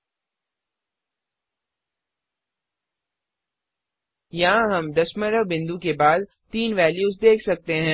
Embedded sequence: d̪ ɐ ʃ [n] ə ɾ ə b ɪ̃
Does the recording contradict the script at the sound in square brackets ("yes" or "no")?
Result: yes